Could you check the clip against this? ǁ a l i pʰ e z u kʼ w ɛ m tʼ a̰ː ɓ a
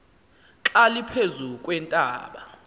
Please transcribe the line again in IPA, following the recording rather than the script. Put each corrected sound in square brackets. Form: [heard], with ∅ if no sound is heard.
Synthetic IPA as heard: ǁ a l i pʰ e z u kʼ w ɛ [n] tʼ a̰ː ɓ a